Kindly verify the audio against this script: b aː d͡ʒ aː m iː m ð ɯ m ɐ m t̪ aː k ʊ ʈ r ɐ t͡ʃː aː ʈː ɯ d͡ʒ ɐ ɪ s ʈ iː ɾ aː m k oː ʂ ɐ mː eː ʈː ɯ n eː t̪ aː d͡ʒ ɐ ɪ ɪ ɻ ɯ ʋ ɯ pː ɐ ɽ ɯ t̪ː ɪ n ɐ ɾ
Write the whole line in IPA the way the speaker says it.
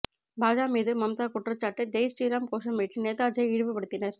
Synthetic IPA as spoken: b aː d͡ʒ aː m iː ð ɯ m ɐ m t̪ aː k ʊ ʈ r ɐ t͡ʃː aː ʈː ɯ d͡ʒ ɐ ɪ s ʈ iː ɾ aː m k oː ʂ ɐ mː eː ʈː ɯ n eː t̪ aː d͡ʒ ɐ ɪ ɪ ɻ ɯ ʋ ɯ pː ɐ ɽ ɯ t̪ː ɪ n ɐ ɾ